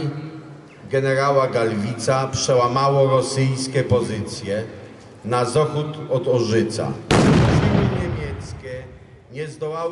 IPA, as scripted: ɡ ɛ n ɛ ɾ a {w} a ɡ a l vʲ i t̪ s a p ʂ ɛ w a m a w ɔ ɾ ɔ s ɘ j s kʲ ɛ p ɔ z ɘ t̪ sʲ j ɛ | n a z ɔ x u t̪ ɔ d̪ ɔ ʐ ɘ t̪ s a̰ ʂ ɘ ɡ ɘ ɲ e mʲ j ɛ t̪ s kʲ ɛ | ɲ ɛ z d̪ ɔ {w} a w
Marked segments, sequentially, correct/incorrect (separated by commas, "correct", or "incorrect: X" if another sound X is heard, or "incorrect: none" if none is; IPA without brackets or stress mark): correct, correct